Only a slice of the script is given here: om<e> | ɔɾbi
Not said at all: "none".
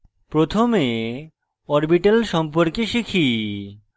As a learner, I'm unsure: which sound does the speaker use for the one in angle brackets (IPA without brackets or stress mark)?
e